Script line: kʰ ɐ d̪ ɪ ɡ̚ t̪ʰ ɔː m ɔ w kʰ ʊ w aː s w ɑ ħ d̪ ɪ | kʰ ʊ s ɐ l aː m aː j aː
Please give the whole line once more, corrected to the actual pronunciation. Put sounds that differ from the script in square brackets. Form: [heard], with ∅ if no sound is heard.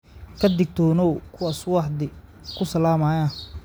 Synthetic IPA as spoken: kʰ ɐ d̪ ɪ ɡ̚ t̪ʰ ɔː [n] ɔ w kʰ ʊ w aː s w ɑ ħ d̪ ɪ | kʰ ʊ s ɐ l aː m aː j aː